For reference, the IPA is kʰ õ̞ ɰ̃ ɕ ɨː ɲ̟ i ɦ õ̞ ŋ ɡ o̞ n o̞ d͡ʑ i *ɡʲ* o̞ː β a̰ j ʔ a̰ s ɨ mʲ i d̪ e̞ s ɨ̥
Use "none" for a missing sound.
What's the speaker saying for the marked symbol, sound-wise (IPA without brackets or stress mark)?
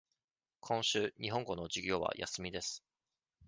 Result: ɡʲ